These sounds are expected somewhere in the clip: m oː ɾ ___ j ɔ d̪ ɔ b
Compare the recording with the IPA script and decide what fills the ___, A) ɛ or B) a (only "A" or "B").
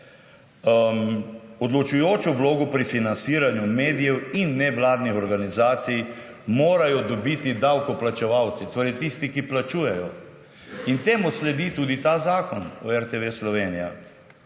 B